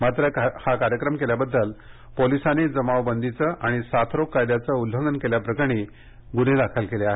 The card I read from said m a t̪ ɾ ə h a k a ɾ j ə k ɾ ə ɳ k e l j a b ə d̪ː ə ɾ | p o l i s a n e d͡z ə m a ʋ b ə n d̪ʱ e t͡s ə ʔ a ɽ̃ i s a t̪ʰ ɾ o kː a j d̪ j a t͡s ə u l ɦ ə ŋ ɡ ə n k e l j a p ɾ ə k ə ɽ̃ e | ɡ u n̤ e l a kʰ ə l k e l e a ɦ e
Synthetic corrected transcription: m a t̪ ɾ ə h a k a ɾ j ə k ɾ ə m k e l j a b ə d̪ː ə l | p o l i s a n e d͡z ə m a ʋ b ə n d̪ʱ i t͡s ə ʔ a ɽ̃ i s a t̪ʰ ɾ o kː a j d̪ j a t͡s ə u l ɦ ə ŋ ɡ ə n k e l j a p ɾ ə k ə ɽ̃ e | ɡ u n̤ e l a kʰ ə l k e l e a ɦ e